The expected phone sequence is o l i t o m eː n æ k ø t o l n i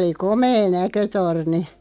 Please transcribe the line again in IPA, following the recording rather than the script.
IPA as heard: o l i k o m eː n æ k ø t o r n i

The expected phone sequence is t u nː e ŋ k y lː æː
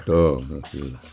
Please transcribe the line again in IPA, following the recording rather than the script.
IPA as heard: t uː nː e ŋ k y lː æ

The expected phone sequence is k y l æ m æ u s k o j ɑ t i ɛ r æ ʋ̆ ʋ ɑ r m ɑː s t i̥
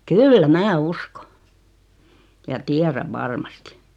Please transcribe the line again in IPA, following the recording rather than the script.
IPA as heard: k y lː æ m æ u s k o j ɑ t i æ r æ ʋ̆ ʋ ɑ r m ɑ s t i̥

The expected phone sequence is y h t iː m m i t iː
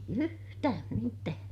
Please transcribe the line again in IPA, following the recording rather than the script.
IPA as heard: y h t æː m m i t æː

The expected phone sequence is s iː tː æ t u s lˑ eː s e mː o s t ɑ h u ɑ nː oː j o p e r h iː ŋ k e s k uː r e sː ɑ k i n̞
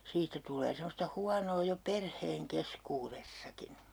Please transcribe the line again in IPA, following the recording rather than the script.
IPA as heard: s iː tː æ t u lˑ eː s e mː o s t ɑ h u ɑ n oː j o p e r h eː ŋ k e s k uː r e sː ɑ k i n̞

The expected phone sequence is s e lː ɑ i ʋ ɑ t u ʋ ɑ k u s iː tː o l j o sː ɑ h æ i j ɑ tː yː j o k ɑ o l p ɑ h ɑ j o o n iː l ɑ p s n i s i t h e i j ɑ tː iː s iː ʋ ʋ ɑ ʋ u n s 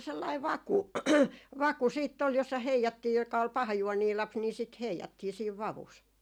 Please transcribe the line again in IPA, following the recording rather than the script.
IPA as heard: s e lː ɑ i ʋ ɑ k u ʋ ɑ k u s iː tː o l j o sː ɑ h e i j ɑ tː iː j o k ɑ o l p ɑ h ɑ j u o n iː l ɑ p s n i s i t h e i j ɑ tː iː s iː ʋ ʋ ɑ ʋ u s

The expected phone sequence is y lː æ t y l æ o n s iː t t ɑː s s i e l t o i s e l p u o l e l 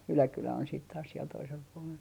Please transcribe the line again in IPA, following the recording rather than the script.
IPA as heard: y l æ k y l æ o n s iː t t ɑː s s i e l t o i s e l p u o l e l

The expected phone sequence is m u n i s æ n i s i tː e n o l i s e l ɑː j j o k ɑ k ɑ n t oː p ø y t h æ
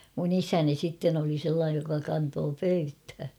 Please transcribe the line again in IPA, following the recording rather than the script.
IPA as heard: m u n i s æ n i s i tː e n o l i s e lː ɑː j j o k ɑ k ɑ n t oː p ø y t h æ

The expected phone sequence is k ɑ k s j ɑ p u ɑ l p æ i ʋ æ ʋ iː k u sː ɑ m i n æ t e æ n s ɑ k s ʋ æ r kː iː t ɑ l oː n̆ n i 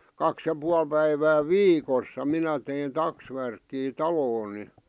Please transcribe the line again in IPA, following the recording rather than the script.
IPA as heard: k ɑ k s j ɑ p u ɑ l p æ i ʋ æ ʋ iː k o sː ɑ m i n æ t e i n t ɑ k s ʋ æ r kː iː t ɑ l oː n̆ n i

